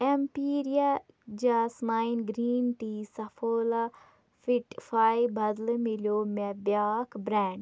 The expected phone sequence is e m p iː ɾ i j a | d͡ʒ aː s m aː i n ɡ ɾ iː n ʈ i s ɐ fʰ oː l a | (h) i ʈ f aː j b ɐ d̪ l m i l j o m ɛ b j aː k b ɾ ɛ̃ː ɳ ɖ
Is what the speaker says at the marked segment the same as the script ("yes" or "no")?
no